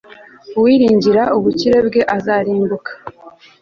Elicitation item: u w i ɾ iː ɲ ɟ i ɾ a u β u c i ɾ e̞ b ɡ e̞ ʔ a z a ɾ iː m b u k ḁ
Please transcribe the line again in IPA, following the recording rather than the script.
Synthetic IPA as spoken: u w i ɾ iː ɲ ɟ i ɾ a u β u c i ɾ e̞ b ɡ e̞ ʔ a z a ɾ iː m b u k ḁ